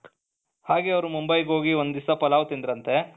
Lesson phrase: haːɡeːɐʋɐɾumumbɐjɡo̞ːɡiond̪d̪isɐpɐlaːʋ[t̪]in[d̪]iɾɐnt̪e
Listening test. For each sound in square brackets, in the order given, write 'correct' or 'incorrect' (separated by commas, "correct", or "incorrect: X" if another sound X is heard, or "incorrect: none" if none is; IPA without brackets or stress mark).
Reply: correct, correct